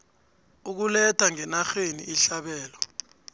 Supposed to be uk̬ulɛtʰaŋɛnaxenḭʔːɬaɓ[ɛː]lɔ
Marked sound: correct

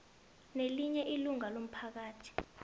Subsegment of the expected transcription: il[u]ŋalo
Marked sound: correct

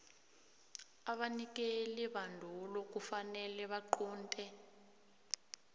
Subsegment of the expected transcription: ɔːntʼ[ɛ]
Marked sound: correct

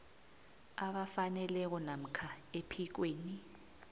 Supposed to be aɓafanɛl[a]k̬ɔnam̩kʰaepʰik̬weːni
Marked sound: incorrect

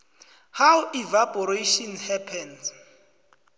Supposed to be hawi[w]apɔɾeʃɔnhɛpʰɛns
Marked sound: incorrect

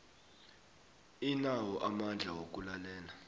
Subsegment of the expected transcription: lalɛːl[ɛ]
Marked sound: incorrect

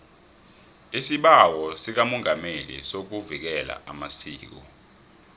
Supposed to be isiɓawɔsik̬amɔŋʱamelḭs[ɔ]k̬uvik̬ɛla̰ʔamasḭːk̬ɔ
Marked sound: incorrect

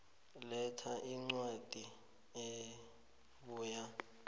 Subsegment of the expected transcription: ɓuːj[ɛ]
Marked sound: incorrect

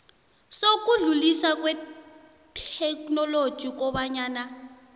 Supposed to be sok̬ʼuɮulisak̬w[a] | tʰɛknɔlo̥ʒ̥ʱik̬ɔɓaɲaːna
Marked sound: incorrect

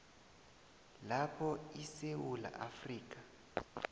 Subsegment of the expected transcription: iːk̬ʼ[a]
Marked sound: correct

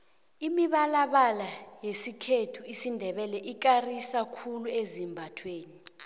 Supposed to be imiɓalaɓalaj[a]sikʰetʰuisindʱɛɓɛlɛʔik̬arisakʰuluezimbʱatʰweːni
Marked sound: incorrect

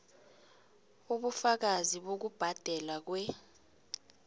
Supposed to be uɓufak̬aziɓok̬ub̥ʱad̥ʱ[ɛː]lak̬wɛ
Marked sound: incorrect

